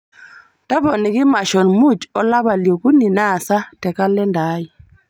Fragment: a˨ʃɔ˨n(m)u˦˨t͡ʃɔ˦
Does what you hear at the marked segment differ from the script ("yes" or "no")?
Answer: no